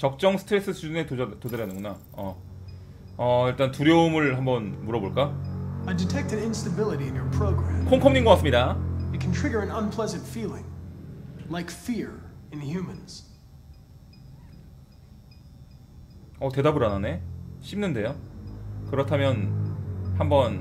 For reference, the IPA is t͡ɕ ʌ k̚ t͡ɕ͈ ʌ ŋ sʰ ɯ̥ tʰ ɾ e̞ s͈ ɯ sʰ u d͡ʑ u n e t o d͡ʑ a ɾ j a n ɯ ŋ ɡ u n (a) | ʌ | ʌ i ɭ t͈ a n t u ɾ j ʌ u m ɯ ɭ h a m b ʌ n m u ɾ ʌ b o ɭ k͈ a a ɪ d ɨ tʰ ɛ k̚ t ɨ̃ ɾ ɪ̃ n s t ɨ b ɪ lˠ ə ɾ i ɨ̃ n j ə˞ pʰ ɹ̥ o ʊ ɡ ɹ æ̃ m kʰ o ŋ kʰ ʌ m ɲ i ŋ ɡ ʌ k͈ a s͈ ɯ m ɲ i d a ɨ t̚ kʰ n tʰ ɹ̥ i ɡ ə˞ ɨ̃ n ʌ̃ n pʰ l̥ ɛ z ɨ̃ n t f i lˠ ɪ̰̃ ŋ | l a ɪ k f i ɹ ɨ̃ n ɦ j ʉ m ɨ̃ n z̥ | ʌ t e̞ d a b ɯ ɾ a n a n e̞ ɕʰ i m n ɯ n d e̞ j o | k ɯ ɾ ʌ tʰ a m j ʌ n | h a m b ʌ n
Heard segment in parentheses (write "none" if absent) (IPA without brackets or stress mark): a